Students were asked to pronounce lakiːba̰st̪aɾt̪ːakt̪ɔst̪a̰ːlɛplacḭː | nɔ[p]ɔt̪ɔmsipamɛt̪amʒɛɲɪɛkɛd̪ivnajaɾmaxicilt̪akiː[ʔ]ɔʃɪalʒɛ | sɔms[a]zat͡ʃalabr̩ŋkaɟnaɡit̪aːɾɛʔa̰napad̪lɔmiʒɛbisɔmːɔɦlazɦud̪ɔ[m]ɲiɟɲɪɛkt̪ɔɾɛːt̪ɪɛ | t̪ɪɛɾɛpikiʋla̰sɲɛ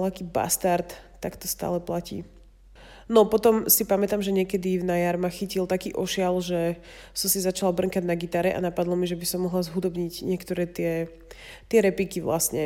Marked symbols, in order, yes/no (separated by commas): yes, yes, no, no